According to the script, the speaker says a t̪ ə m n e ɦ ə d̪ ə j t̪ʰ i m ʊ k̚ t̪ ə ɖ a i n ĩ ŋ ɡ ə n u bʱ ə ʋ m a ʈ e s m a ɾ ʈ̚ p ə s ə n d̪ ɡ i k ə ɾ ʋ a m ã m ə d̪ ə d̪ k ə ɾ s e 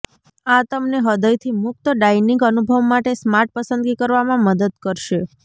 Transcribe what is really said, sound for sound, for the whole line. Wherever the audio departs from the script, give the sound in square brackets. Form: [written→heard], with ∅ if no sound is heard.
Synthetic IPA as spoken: a t̪ ə m n e ɦ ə d̪ ə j t̪ʰ i m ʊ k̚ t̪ ə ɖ a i n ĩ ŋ ɡ ə n u bʱ ə ʋ m a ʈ e s m a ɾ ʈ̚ p ə s ə n d̪ ɡ i k ə ɾ ʋ a m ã m ə d̪ ə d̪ k ə ɾ [s→ʃ] e